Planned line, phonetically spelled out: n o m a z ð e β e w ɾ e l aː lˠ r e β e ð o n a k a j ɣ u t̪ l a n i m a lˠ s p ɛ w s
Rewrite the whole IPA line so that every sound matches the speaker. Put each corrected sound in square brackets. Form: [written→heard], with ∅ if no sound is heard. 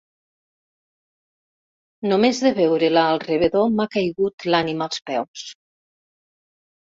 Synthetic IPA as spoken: n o m [a→e] z ð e β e w ɾ e l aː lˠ r e β e ð o [n→m] a k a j ɣ u t̪ l a n i m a lˠ s p ɛ w s